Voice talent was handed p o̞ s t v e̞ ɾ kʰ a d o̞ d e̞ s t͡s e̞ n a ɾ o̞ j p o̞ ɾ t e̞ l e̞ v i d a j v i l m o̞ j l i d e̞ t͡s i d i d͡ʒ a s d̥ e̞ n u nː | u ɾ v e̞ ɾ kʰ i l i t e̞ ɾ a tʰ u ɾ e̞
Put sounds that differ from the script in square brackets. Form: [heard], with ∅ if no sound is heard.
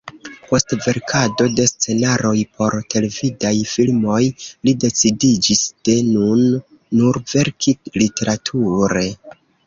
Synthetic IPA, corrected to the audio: p o̞ s t v e̞ ɾ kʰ a d o̞ d e̞ s t͡s e̞ n a ɾ o̞ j p o̞ ɾ t e̞ l e̞ v i d a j [f] i l m o̞ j l i d e̞ t͡s i d i d͡ʒ [i] s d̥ e̞ n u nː | u ɾ v e̞ ɾ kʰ i l i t e̞ ɾ a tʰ u ɾ e̞